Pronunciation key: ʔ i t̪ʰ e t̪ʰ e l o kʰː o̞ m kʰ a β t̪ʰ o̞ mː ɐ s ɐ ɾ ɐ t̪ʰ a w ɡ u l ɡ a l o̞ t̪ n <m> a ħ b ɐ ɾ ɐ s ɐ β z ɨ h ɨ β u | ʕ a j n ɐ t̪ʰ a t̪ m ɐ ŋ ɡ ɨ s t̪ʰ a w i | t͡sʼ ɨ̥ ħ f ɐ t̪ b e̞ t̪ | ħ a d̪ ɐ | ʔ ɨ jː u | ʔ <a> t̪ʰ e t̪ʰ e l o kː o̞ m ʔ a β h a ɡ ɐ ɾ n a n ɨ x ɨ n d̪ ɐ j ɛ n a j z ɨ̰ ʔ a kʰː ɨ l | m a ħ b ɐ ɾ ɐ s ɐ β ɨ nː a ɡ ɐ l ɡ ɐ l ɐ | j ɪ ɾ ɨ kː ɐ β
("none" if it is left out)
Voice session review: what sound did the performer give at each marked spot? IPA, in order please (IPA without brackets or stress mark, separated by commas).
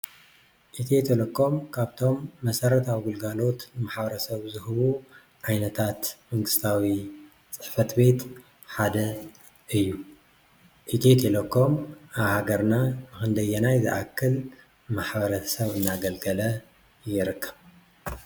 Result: m, i